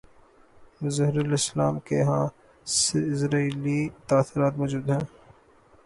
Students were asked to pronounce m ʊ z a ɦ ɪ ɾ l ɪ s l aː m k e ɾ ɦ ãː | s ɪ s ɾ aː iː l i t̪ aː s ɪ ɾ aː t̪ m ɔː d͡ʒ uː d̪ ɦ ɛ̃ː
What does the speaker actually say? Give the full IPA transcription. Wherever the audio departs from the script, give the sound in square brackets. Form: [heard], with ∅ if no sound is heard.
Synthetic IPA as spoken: m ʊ z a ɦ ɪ ɾ l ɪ s l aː m k e [∅] ɦ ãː | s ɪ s ɾ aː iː l i t̪ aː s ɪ ɾ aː t̪ m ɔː d͡ʒ uː d̪ ɦ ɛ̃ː